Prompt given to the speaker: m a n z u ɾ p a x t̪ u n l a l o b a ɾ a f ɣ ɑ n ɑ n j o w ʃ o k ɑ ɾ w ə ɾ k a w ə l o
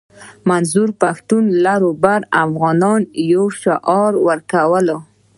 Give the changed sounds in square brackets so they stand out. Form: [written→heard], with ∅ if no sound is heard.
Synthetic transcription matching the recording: m a n z u ɾ p a x t̪ u n l a [l→ɾ] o b a ɾ a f ɣ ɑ n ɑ n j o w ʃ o [k→ʔ] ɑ ɾ w ə ɾ k a w ə l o